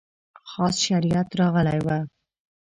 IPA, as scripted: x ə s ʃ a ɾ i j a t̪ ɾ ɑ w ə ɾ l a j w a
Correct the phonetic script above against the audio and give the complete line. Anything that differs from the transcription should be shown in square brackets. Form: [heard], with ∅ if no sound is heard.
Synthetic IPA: x [ɑ] s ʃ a ɾ i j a t̪ ɾ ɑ [ɣ] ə [∅] l a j w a